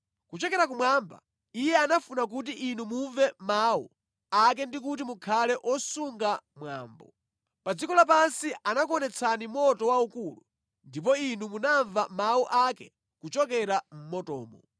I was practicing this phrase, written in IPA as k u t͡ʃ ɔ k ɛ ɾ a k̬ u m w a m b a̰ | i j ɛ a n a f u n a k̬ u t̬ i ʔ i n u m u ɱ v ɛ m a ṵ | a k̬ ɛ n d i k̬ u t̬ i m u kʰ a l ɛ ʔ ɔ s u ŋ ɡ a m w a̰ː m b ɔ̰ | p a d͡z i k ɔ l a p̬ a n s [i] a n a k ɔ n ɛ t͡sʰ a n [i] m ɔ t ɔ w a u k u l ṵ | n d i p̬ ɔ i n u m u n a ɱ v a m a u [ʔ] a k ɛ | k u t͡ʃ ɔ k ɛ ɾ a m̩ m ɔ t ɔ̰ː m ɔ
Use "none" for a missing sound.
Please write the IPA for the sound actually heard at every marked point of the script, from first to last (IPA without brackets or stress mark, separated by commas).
i, i, ʔ